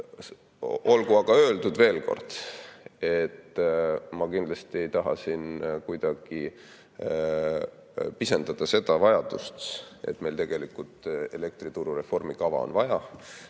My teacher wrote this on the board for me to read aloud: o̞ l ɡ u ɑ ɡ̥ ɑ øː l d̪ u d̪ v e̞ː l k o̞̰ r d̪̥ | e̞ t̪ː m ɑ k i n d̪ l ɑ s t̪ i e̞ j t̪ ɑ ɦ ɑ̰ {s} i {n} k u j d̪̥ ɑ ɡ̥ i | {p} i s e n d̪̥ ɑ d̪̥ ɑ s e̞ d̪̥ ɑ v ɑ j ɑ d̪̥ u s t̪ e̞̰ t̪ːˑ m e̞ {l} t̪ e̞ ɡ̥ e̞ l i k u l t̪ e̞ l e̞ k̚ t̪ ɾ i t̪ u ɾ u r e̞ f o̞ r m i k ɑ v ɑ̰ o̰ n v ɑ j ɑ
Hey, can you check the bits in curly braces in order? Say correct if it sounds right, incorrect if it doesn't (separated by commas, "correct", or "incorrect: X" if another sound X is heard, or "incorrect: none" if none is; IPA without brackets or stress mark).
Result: correct, correct, correct, correct